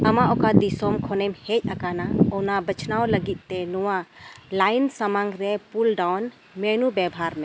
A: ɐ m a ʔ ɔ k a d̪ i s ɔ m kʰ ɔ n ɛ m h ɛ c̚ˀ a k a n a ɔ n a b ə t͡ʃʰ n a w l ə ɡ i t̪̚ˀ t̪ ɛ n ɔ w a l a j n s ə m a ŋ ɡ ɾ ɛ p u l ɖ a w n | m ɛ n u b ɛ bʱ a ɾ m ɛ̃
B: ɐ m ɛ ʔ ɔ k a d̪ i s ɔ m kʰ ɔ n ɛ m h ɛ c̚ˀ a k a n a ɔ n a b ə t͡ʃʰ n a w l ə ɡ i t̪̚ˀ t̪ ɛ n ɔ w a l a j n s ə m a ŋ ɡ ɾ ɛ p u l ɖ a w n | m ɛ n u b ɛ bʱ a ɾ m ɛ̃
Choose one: A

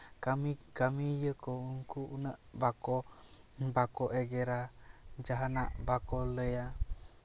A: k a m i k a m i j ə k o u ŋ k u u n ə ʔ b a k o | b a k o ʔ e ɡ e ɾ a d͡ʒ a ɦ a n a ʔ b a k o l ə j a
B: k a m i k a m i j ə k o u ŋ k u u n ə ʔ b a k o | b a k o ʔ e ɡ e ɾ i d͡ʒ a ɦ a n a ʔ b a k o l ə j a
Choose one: A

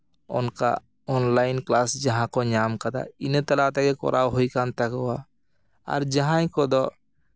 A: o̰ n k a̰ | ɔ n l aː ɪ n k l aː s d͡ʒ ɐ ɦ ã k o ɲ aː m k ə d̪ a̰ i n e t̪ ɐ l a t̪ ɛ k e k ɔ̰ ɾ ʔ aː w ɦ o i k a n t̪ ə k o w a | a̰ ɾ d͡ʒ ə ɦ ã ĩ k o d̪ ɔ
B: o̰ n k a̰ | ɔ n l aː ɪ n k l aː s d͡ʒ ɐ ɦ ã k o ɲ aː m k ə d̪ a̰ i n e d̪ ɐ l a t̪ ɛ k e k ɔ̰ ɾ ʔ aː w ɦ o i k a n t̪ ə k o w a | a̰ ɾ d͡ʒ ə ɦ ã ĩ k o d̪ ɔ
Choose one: A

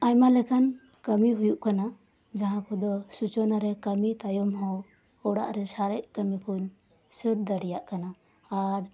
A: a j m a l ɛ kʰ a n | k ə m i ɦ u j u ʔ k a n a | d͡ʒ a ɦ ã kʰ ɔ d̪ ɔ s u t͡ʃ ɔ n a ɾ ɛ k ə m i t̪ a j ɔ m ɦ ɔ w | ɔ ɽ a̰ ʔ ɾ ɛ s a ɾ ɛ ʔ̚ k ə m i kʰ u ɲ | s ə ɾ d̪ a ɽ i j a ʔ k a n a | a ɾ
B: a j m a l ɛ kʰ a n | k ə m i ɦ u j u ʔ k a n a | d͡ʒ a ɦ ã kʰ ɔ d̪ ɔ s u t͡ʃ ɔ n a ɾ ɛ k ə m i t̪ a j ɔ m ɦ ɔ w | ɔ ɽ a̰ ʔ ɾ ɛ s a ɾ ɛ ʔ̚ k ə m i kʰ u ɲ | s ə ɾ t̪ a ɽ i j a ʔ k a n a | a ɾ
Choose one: A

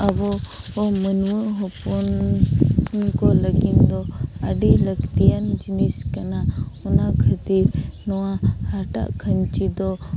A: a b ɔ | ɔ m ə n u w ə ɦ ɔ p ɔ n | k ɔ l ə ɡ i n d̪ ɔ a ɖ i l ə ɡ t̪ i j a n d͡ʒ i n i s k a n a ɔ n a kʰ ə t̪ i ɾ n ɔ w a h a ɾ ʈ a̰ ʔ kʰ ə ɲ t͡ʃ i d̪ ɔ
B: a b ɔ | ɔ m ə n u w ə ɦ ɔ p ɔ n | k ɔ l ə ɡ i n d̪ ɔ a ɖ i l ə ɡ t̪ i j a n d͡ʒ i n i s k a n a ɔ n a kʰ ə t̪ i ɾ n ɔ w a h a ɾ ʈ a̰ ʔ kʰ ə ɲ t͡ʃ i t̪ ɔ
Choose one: A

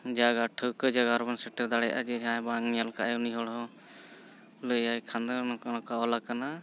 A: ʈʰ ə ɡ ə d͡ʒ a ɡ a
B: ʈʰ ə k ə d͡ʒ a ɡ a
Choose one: B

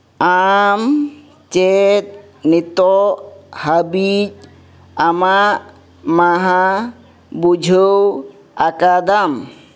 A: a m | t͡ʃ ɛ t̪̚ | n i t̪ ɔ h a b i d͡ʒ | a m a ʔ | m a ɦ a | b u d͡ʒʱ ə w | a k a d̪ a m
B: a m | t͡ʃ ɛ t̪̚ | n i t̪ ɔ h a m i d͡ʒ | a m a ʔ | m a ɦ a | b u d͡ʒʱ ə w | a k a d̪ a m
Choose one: A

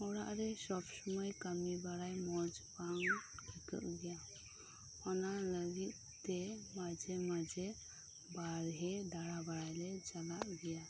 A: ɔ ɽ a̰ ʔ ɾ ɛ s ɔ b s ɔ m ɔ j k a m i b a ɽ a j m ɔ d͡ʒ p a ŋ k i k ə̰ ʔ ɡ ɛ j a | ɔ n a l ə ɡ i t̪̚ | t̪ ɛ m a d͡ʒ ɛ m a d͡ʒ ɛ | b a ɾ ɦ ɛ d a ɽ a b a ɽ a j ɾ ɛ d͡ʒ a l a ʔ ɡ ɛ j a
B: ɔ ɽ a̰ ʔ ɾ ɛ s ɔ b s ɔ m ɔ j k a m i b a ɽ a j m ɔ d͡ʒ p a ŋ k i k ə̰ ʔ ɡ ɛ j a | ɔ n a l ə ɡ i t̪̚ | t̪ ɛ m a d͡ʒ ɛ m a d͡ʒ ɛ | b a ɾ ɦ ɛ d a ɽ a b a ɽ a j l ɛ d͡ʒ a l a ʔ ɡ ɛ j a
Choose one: B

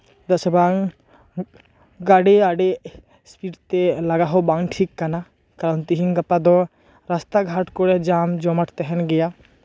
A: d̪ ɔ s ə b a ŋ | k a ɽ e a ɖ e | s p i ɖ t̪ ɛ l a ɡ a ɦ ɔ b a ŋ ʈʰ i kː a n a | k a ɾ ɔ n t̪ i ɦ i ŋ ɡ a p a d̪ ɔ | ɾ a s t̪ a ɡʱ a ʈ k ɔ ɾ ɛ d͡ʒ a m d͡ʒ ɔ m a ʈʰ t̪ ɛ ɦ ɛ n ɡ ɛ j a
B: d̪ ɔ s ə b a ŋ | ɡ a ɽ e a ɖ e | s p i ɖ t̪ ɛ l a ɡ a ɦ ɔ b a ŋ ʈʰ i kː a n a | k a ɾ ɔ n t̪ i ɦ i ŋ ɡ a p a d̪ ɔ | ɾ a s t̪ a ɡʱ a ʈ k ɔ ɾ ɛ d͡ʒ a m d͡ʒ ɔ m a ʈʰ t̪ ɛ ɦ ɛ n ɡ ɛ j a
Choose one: B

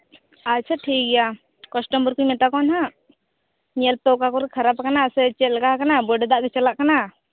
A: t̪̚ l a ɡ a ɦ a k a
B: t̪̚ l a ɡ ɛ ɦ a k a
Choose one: A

